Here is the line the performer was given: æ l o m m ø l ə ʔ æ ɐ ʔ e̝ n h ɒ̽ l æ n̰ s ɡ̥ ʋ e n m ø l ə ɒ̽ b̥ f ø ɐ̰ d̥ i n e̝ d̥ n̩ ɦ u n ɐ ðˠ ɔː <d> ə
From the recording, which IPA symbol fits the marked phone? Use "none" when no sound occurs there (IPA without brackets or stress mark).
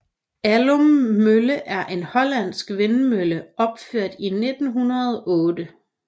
d